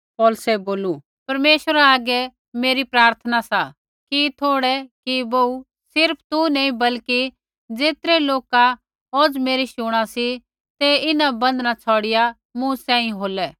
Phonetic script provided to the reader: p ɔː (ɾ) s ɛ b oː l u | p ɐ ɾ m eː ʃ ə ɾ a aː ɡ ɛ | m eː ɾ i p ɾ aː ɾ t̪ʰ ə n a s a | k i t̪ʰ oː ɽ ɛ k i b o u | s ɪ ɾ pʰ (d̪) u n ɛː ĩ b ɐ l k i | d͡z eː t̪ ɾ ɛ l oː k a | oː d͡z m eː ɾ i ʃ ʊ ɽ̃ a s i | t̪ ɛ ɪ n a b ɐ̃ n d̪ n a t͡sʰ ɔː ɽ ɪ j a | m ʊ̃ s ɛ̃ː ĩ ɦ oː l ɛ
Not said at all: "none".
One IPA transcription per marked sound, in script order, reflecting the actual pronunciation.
l, t̪

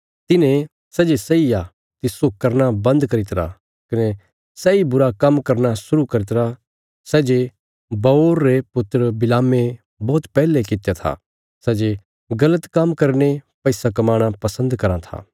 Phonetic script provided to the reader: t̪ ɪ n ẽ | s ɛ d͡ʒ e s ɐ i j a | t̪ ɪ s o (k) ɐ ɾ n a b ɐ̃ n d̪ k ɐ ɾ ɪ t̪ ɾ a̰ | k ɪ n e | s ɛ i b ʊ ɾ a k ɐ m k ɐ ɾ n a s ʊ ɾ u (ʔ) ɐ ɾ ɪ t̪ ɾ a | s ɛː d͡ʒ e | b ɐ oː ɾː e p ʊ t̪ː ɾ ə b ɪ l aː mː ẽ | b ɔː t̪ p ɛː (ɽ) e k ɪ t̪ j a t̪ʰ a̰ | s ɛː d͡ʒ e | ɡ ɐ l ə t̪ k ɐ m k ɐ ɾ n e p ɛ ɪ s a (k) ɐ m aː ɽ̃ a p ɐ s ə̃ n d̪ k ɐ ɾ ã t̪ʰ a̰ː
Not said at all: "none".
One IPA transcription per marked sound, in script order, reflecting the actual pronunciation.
k, k, l, k

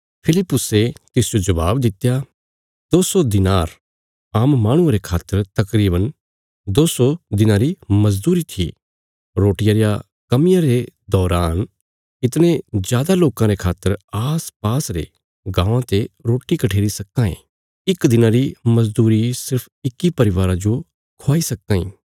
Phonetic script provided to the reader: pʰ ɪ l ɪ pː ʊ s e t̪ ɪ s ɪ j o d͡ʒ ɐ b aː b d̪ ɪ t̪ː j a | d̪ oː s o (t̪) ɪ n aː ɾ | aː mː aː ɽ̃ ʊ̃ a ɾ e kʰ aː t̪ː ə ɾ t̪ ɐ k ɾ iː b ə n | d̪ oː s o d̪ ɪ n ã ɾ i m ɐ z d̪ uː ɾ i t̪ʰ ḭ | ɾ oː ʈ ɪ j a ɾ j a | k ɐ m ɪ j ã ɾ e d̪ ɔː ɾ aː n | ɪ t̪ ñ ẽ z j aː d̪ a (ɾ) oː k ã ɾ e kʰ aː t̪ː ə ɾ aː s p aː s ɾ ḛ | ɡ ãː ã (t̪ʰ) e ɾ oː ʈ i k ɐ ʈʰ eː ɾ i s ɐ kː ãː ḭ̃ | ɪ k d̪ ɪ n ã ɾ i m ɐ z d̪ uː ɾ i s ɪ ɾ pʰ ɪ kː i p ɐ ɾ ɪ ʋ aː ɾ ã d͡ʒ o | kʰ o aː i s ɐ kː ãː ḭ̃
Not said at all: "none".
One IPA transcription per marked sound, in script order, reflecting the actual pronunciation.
d̪, l, t̪

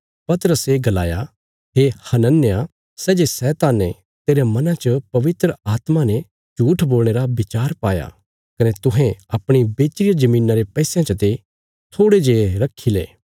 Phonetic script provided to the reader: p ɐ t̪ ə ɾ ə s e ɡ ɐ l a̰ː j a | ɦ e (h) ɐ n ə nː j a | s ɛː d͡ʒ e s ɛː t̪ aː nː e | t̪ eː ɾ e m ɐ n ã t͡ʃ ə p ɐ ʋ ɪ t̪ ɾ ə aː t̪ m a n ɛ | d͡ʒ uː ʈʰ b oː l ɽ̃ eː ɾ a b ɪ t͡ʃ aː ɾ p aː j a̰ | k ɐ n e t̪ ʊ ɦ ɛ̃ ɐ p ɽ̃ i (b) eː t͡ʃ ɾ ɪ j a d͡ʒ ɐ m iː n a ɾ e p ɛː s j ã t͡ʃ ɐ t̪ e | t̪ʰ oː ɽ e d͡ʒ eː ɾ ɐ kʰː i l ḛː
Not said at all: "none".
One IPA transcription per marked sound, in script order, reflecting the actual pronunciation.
h, b

